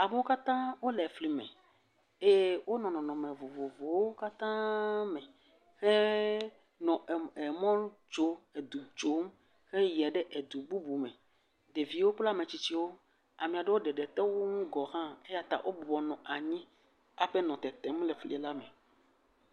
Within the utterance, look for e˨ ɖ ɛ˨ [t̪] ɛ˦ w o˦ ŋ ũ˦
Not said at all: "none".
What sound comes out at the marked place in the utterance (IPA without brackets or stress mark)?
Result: t̪